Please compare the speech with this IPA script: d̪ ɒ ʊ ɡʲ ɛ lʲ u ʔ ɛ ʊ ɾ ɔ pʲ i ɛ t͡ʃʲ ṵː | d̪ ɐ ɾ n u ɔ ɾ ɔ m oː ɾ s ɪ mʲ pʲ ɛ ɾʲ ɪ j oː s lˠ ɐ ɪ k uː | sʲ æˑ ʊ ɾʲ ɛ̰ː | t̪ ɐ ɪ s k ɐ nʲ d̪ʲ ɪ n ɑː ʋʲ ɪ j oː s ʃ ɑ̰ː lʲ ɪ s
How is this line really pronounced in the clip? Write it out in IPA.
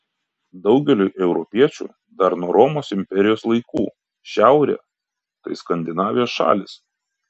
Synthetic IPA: d̪ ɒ ʊ ɡʲ ɛ lʲ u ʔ ɛ ʊ ɾ ɔ pʲ i ɛ t͡ʃʲ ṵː | d̪ ɐ ɾ n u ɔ ɾ ɔ m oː s ɪ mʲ pʲ ɛ ɾʲ ɪ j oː s lˠ ɐ ɪ k uː | ʃʲ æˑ ʊ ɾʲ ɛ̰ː | t̪ ɐ ɪ s k ɐ nʲ d̪ʲ ɪ n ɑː ʋʲ ɪ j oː s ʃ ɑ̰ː lʲ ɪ s